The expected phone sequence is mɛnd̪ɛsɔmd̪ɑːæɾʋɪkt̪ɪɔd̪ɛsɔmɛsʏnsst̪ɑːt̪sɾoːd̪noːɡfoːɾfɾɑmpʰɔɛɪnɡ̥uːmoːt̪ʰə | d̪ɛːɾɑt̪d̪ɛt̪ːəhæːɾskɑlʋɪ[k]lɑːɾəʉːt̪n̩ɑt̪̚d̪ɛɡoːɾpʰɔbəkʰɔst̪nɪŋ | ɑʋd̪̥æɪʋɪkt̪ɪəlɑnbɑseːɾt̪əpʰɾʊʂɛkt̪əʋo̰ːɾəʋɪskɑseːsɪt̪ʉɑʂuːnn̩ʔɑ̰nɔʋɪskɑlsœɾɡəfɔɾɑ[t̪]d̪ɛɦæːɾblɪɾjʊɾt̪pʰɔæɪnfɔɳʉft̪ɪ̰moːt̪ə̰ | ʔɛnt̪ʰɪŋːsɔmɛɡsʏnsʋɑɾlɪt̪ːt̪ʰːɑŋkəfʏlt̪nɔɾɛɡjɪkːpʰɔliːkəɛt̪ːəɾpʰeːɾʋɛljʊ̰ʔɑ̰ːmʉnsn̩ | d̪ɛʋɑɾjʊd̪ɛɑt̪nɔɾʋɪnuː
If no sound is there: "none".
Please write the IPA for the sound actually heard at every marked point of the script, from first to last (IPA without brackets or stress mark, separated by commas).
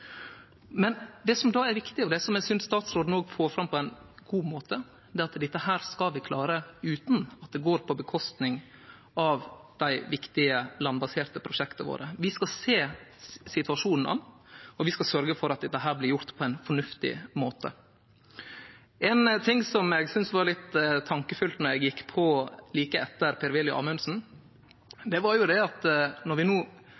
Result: kʰ, t̪